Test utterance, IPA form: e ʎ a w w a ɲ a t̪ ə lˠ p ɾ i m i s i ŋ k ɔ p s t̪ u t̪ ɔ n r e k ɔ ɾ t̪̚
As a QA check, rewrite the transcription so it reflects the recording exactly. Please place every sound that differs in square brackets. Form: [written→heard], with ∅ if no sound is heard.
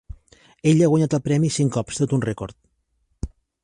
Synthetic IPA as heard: e ʎ a [w→ɣ] w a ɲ a t̪ ə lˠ p ɾ [i→ɛ] m i s i ŋ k ɔ p s t̪ [u→o] t̪ [ɔ→u] n r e k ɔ ɾ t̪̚